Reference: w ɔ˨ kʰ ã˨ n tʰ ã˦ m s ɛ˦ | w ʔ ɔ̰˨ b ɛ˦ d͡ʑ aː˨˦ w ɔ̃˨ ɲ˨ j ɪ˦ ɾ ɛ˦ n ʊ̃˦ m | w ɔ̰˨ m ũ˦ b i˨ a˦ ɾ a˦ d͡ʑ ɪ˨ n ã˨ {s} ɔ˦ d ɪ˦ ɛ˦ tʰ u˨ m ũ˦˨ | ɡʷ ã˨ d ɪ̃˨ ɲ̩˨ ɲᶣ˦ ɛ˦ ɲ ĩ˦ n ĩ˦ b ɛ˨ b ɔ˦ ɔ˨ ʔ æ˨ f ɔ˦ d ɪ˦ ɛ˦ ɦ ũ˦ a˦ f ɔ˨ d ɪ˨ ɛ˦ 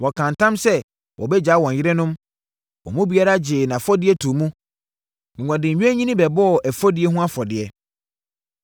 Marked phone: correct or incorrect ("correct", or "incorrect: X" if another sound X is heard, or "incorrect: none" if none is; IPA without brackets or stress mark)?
incorrect: f